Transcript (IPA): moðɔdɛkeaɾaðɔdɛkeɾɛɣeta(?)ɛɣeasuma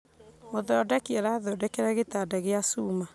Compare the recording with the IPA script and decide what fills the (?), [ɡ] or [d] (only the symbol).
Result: d